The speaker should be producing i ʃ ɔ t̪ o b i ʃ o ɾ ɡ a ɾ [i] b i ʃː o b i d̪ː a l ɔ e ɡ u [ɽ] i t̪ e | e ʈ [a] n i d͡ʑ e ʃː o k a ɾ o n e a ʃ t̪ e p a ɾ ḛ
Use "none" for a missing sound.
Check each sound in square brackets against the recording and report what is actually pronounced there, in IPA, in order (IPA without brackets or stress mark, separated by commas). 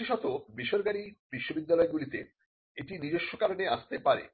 i, l, i